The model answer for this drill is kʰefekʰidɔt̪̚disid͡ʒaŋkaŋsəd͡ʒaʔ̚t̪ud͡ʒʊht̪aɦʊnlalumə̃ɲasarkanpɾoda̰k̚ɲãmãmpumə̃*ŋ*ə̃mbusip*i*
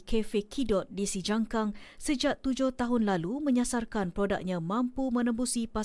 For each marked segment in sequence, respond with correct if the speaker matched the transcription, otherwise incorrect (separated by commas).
incorrect, incorrect